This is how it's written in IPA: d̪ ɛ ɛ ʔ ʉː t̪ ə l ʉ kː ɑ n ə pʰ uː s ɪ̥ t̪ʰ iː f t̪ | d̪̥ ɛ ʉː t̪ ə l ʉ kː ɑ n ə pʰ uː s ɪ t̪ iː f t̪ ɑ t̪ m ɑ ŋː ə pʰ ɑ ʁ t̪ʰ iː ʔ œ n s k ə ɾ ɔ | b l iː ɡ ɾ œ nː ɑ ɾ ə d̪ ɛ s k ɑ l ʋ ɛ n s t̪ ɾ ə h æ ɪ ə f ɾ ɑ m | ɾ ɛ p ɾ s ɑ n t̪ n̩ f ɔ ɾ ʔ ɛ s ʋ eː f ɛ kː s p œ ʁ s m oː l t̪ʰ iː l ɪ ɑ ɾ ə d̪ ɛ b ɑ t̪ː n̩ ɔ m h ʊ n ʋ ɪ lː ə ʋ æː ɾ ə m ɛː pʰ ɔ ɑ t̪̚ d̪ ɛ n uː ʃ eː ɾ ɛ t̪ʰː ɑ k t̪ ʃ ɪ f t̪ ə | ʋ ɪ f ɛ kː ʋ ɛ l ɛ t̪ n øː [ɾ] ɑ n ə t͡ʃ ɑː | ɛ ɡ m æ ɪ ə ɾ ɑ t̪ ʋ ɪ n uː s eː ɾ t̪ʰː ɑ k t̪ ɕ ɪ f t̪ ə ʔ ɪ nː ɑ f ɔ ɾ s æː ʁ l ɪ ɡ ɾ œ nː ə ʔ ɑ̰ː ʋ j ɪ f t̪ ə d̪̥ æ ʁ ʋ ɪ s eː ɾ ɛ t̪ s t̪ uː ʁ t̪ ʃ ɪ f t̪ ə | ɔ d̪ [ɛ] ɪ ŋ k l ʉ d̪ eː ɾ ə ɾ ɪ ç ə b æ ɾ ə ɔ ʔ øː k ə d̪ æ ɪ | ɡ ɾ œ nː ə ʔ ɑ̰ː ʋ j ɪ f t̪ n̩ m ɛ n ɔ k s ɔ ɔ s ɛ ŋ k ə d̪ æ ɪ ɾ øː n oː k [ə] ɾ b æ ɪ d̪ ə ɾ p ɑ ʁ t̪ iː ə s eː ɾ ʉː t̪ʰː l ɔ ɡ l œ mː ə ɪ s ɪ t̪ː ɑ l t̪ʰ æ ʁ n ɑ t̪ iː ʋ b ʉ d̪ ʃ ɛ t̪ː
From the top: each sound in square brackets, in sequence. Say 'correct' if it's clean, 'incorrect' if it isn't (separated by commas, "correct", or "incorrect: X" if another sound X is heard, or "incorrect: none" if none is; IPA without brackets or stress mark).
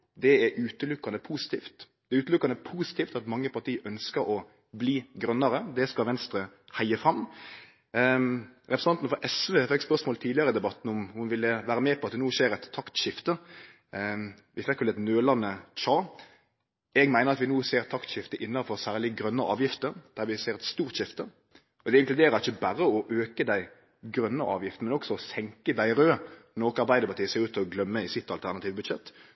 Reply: incorrect: l, correct, incorrect: ɑ